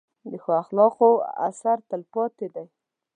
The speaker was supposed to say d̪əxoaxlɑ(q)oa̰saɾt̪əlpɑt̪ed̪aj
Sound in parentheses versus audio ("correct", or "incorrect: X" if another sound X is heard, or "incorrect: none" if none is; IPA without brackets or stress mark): correct